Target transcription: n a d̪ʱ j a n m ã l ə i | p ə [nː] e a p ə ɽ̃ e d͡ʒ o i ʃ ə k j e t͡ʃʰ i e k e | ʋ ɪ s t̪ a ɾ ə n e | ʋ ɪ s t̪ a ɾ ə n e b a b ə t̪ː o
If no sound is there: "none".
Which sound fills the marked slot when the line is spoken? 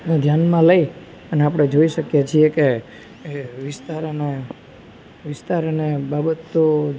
n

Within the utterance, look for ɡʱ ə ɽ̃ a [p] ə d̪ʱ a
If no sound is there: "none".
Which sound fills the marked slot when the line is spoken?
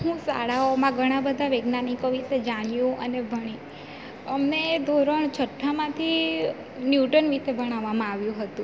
b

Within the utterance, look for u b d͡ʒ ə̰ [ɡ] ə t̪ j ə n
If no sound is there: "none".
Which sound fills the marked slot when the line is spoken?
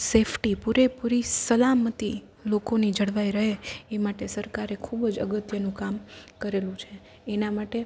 ɡ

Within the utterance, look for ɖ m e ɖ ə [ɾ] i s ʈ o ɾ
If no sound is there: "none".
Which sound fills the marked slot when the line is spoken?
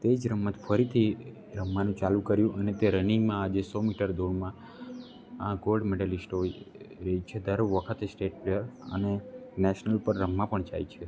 l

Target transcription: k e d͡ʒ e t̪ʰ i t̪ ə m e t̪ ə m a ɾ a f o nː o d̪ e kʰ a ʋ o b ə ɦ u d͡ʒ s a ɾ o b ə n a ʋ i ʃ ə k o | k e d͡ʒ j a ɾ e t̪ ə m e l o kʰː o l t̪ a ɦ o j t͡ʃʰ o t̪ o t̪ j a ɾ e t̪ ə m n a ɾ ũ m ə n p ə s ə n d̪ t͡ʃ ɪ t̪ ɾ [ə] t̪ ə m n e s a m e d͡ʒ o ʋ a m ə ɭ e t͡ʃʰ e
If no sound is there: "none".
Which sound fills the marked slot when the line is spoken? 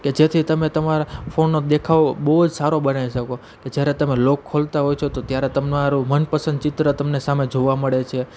ə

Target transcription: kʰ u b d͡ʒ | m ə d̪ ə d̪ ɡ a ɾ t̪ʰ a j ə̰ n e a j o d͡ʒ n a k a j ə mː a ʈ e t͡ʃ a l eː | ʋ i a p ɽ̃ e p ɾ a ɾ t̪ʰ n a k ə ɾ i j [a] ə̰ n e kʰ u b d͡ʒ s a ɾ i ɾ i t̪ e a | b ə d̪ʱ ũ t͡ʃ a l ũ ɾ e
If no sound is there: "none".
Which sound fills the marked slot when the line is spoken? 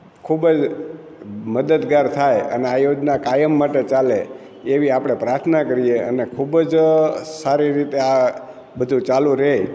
e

